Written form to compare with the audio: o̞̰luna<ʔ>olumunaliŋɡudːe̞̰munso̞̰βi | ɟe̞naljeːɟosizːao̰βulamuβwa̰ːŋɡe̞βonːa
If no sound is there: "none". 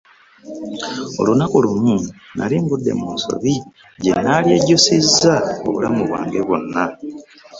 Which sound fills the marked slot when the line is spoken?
k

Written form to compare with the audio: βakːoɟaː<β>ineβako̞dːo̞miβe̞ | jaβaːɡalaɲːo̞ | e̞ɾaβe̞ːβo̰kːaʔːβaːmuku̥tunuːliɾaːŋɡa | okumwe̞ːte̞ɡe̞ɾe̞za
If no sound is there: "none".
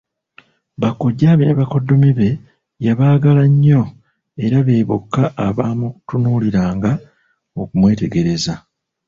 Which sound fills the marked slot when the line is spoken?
β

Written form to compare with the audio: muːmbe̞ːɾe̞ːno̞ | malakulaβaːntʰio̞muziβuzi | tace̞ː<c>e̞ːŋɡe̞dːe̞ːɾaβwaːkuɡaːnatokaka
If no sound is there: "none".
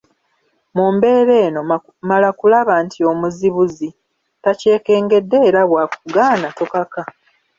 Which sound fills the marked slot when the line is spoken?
k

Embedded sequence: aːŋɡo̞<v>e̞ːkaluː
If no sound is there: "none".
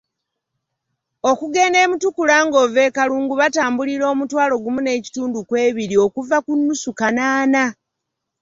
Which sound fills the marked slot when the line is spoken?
v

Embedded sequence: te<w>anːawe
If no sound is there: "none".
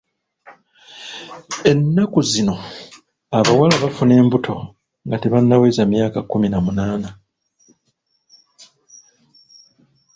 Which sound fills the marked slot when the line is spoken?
β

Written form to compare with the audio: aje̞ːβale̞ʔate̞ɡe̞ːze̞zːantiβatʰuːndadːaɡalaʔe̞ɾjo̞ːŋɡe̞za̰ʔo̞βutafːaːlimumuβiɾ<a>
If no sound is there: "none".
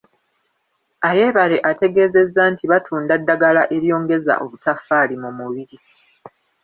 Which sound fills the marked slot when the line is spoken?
i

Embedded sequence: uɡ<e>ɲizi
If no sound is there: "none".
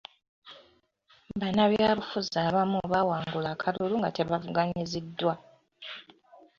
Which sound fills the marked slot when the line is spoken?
a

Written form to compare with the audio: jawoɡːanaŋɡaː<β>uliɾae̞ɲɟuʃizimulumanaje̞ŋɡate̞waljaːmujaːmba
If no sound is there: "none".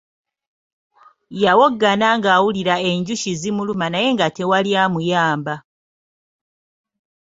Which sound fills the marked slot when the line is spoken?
w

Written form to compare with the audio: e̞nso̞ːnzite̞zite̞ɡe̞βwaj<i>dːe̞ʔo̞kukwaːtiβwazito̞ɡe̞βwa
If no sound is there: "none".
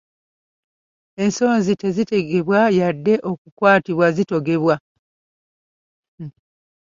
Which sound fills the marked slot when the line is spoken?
a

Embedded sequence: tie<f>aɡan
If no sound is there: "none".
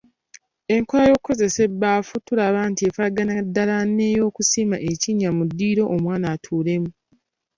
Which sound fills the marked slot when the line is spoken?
f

